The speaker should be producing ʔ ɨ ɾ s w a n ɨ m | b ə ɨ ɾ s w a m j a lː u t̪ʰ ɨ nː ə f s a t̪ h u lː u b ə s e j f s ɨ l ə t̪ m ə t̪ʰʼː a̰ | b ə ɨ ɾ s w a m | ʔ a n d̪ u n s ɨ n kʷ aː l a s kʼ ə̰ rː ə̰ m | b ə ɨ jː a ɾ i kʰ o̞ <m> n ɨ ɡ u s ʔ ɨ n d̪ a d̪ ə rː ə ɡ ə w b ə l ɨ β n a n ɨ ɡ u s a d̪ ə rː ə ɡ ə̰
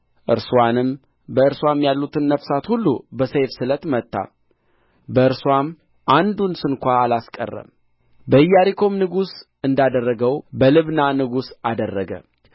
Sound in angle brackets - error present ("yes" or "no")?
no